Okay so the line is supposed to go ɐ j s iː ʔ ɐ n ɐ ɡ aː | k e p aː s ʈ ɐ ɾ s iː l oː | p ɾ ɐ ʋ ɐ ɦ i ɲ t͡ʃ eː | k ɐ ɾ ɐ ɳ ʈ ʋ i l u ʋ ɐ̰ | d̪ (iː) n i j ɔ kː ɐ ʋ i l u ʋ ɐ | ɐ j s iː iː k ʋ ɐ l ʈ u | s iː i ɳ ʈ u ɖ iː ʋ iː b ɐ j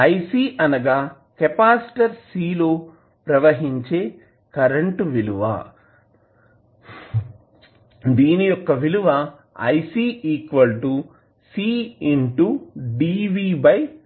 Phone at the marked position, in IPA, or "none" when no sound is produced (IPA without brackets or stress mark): iː